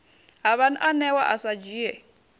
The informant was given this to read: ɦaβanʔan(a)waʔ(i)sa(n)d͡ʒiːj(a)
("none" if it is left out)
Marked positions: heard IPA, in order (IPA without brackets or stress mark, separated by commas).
ɛ, a, none, ɛ